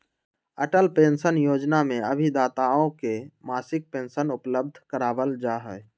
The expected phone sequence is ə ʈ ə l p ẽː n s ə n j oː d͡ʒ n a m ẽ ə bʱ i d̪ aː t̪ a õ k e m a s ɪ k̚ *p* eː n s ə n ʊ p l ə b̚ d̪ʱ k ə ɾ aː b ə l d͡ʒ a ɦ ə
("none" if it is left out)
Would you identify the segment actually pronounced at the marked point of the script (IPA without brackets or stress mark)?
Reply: p